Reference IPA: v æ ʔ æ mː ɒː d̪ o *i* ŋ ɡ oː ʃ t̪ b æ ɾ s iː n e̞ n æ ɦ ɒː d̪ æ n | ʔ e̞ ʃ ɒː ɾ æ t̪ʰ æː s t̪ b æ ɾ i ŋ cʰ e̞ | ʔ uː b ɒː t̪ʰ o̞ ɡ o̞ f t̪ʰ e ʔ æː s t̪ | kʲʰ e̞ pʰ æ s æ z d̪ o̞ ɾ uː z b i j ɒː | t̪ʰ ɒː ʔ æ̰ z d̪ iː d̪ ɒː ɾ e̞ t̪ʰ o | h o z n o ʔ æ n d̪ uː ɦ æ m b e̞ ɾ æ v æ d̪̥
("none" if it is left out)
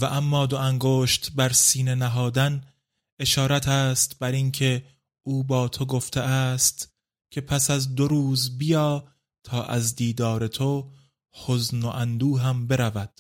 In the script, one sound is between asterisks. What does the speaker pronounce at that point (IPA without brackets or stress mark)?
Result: æ